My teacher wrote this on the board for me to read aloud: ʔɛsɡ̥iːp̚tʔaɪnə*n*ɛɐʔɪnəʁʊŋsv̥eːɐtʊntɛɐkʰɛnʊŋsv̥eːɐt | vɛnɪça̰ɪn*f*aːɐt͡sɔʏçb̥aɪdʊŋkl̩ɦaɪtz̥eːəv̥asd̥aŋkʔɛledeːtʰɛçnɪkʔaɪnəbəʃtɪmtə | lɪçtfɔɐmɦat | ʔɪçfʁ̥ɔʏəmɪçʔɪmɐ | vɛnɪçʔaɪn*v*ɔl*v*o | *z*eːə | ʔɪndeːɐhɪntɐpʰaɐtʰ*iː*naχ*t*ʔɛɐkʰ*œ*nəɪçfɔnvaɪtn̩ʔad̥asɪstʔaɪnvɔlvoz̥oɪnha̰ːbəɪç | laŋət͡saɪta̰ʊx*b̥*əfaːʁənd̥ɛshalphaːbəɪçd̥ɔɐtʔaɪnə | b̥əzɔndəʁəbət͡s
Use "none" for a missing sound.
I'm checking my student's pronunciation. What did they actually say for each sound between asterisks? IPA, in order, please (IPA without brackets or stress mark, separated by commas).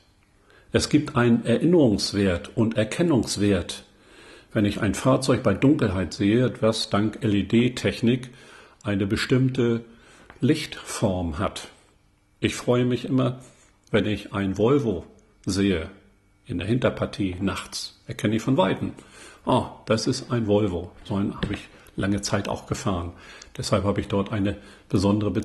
n, f, v, v, z, iː, t͡s, ɛ, ɡ̥